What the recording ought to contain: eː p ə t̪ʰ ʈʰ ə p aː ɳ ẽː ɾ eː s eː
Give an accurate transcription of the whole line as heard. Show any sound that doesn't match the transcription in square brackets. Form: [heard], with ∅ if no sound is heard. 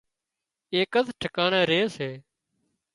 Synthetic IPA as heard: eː [k] ə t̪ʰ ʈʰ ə [k] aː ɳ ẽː ɾ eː s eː